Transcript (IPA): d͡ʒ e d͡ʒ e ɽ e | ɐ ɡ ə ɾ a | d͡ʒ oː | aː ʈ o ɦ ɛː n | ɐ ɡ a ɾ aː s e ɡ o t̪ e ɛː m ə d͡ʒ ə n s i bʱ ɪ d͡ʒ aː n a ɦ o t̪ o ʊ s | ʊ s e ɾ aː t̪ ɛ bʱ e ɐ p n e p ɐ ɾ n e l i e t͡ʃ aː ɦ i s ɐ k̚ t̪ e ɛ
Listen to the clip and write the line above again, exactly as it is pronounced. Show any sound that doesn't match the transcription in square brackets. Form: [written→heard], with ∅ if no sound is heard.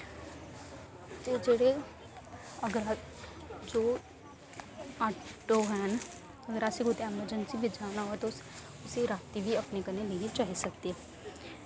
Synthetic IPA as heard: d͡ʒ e d͡ʒ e ɽ e | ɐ ɡ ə ɾ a | d͡ʒ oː | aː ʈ o ɦ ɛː n | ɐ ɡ [a→ə] ɾ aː s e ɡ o t̪ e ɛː m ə d͡ʒ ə n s i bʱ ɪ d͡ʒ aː n a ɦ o t̪ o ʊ s | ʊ s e ɾ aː t̪ [ɛ→i] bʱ [e→i] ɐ p n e [p→k] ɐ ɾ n e l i e t͡ʃ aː ɦ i s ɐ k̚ t̪ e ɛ